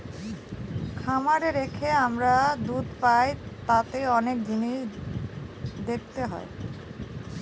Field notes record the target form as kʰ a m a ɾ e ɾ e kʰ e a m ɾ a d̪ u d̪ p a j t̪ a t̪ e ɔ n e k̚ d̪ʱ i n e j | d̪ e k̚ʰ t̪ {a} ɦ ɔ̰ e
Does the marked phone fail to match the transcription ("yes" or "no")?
yes